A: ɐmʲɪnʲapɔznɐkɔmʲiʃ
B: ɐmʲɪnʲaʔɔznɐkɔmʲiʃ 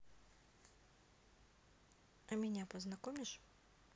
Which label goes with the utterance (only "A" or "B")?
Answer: A